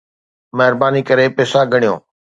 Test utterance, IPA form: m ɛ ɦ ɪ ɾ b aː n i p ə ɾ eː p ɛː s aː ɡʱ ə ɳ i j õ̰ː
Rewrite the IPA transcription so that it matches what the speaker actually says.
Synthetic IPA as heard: m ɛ ɦ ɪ ɾ b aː n i k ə ɾ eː p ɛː s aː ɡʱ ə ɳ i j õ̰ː